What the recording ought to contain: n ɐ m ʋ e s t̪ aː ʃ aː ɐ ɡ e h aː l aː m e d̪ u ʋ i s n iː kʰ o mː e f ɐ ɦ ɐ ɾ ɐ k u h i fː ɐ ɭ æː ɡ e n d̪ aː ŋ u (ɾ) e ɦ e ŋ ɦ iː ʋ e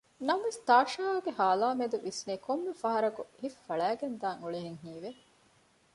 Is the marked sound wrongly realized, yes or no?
yes